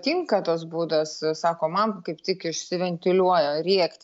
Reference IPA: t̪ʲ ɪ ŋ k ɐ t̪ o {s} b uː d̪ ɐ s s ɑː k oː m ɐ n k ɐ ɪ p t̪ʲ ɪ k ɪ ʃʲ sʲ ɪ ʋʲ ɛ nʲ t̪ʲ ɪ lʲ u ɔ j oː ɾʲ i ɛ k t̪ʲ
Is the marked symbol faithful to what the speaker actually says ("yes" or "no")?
yes